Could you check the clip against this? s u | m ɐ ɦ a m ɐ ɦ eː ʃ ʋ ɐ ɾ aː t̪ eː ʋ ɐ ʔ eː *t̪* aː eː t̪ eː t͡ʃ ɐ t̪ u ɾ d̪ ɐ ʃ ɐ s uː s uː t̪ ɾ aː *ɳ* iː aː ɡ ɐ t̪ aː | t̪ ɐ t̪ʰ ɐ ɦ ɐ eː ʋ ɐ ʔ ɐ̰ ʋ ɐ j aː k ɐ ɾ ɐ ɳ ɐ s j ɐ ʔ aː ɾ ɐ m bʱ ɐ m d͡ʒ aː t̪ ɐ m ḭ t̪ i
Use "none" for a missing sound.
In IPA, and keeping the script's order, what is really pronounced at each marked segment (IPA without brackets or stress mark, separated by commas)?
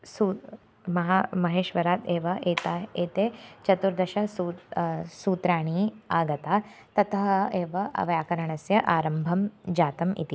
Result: t̪, ɳ